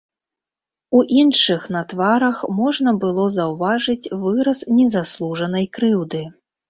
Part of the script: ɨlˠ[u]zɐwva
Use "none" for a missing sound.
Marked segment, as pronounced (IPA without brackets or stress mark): ɔ